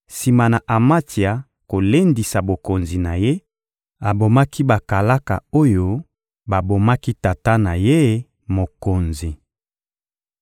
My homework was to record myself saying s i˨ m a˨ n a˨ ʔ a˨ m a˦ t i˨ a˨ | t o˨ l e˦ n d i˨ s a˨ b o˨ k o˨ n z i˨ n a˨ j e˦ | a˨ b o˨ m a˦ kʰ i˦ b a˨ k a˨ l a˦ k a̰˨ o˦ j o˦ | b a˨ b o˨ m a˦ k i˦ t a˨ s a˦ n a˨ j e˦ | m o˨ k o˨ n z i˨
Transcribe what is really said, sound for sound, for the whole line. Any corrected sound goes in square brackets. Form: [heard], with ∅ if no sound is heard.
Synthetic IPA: s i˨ m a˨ n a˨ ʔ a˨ m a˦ t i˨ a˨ | [k] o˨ l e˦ n d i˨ s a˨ b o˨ k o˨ n z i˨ n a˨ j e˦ | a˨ b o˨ m a˦ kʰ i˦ b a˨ k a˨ l a˦ k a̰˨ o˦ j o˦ | b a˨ b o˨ m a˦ k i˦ t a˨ [t] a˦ n a˨ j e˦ | m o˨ k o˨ n z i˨